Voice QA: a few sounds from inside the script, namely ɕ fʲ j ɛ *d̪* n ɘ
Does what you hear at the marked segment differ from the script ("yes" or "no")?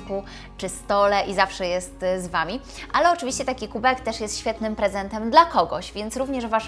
yes